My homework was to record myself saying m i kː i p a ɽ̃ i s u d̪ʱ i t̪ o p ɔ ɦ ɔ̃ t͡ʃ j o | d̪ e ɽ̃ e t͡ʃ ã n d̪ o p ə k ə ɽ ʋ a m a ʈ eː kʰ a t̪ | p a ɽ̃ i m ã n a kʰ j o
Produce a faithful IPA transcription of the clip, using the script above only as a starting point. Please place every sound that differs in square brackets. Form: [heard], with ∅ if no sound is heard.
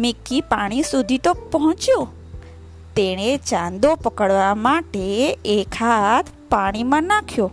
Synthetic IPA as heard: m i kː i p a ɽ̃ i s u d̪ʱ i t̪ o p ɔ ɦ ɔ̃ t͡ʃ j o | [t̪] e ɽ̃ e t͡ʃ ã n d̪ o p ə k ə ɽ ʋ a m a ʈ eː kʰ a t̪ | p a ɽ̃ i m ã n a kʰ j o